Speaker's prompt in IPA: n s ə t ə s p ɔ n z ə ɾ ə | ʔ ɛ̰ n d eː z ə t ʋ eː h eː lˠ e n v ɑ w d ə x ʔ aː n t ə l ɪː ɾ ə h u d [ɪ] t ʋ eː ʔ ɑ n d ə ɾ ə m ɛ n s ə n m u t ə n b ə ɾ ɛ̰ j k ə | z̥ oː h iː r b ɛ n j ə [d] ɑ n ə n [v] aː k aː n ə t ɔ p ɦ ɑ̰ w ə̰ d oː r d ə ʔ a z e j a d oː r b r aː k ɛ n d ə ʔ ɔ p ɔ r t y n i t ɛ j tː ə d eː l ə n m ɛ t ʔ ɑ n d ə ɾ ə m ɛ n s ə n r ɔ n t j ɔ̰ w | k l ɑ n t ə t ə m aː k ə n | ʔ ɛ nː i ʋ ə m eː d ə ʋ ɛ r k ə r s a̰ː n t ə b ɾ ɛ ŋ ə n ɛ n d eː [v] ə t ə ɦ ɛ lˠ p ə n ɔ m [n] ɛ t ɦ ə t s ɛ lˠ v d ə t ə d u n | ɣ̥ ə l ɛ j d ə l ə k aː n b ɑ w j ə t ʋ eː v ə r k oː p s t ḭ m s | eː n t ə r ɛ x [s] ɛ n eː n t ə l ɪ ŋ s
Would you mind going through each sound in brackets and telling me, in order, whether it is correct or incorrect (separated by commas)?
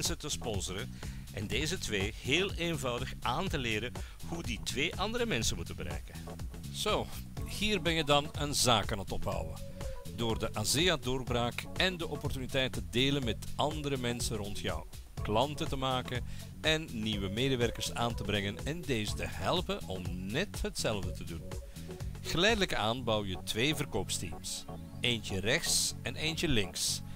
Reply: incorrect, correct, incorrect, incorrect, correct, correct